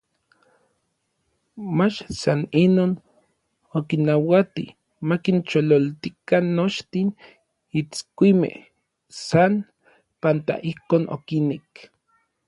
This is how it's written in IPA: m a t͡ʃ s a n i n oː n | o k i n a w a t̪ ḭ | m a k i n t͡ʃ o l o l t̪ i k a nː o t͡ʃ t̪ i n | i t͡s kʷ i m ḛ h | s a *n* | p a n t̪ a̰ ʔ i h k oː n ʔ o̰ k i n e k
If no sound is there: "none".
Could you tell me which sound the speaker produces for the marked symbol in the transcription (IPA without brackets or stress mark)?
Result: n